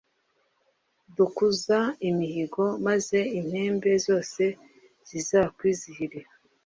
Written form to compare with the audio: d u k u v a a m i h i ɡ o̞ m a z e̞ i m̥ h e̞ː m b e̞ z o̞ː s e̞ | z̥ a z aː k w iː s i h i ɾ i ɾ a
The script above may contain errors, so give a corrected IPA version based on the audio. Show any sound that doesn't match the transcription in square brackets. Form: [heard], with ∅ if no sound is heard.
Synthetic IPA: d u k u [z] a [i] m i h i ɡ o̞ m a z e̞ i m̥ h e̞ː m b e̞ z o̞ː s e̞ | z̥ [i] z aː k w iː [z] i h i ɾ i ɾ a